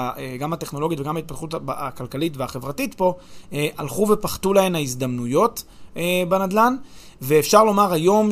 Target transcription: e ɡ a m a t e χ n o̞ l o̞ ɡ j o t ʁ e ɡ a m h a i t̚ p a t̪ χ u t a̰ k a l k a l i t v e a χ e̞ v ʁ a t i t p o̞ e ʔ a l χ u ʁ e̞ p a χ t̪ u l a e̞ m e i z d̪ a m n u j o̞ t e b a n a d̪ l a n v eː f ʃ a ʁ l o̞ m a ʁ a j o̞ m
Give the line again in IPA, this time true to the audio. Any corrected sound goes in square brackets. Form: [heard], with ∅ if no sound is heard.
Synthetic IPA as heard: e ɡ a m a t e χ n o̞ l o̞ ɡ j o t [v] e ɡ a m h a i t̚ p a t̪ χ u t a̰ k a l k a l i t v e a χ e̞ v ʁ a t i t p o̞ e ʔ a l χ u [v] e̞ p a χ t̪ u l a e̞ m [a] i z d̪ a m n u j o̞ t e b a n a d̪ l a n v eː f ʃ a ʁ l o̞ m a ʁ a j o̞ m